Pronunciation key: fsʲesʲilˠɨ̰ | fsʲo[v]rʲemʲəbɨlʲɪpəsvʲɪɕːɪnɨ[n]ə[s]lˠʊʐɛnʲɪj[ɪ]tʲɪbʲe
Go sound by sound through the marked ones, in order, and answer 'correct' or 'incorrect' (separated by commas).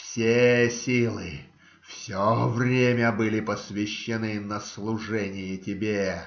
correct, correct, correct, correct